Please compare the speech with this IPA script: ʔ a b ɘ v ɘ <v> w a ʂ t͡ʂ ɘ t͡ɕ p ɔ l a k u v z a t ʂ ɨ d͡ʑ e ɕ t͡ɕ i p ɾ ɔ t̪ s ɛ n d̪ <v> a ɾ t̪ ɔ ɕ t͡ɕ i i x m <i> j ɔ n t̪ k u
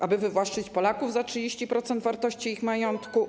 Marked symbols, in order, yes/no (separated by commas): yes, yes, no